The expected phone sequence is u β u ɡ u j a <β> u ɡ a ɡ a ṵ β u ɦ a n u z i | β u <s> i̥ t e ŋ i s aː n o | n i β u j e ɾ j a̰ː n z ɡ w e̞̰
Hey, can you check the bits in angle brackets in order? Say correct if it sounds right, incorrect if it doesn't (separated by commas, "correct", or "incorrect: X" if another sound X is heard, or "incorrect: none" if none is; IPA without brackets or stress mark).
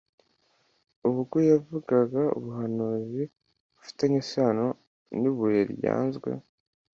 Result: incorrect: v, incorrect: f